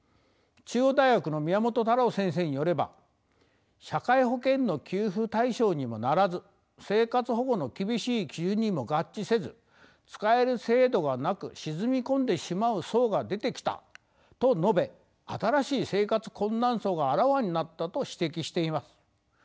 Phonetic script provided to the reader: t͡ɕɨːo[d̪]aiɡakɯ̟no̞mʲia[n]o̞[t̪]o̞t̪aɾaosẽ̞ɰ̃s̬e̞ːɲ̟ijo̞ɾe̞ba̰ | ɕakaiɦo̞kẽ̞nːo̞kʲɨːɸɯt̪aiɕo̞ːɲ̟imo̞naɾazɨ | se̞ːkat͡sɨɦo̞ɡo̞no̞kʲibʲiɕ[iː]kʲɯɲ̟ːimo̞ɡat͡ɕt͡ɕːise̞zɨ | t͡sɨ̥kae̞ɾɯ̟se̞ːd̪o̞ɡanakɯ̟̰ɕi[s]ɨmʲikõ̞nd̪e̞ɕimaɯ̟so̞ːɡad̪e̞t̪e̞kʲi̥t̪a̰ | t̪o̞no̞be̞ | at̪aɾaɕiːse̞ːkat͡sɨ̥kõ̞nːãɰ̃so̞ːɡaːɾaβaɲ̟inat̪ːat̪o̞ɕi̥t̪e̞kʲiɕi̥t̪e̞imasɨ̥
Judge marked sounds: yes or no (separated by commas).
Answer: yes, no, yes, yes, no